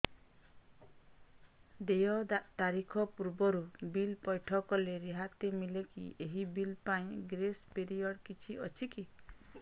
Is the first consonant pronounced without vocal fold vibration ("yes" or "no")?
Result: no